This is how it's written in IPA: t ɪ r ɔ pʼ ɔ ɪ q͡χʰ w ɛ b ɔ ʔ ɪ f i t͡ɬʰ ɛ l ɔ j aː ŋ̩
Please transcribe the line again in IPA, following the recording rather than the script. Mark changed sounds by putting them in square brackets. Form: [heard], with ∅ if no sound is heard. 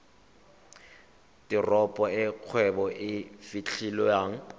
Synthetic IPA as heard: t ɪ r ɔ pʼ ɔ ɪ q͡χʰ w ɛ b ɔ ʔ ɪ f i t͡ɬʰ [i] l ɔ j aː ŋ̩